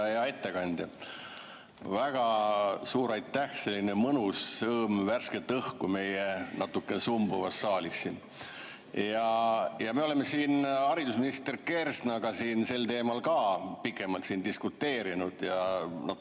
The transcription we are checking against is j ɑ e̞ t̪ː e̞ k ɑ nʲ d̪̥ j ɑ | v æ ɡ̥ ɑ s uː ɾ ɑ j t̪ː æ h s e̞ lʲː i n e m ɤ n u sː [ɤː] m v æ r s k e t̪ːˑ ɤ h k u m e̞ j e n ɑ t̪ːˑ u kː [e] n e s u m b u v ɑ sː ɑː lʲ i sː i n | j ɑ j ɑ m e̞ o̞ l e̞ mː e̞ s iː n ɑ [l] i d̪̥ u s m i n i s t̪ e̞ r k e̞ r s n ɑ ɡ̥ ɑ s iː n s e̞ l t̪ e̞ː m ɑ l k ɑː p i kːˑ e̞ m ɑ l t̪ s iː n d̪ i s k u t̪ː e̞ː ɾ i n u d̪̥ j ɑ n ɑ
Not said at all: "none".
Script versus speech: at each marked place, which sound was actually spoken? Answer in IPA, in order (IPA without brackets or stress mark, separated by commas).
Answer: ɤː, e, ɾ